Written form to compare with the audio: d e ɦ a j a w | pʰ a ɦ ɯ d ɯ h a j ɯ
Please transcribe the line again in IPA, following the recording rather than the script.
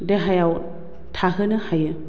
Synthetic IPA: d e ɦ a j a w | tʰ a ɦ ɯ n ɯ h a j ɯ